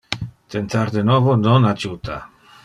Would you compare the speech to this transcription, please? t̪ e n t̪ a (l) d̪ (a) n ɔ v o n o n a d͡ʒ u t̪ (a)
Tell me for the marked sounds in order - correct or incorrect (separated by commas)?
incorrect, incorrect, correct